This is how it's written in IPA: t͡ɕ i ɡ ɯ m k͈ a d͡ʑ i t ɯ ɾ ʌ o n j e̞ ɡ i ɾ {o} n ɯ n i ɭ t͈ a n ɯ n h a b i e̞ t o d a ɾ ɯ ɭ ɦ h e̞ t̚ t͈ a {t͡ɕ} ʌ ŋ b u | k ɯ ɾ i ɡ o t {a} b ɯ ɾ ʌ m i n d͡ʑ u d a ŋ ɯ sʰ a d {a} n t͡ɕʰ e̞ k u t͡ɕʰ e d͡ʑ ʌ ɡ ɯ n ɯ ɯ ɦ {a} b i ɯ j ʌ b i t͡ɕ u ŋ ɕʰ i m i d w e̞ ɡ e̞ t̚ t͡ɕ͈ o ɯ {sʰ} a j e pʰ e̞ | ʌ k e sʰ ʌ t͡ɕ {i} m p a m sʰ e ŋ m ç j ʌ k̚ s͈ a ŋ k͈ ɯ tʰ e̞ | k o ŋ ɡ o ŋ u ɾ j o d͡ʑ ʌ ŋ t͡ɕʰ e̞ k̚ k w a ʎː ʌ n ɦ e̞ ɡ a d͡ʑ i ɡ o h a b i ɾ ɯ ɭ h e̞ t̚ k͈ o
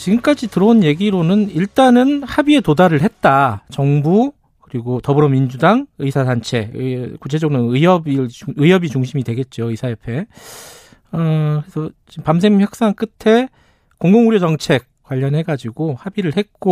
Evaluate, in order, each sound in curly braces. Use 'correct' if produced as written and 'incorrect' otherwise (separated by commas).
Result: correct, correct, incorrect, correct, incorrect, correct, correct